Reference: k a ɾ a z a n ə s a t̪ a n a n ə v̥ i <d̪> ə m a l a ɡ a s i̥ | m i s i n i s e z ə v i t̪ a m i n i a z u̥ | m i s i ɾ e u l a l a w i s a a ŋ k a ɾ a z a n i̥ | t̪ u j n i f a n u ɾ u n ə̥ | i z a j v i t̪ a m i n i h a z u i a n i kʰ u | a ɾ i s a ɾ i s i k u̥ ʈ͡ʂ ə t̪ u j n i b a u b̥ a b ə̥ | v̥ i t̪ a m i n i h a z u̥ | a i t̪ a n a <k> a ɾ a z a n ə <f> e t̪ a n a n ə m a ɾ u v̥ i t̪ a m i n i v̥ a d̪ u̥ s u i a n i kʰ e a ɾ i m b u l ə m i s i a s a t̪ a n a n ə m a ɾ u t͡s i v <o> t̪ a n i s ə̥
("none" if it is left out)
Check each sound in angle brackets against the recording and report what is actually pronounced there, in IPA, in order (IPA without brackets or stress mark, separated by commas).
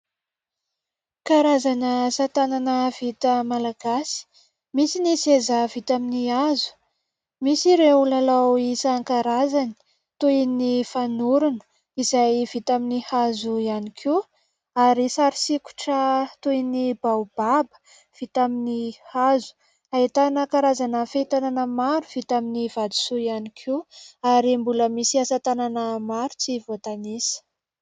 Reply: t̪, k, f, o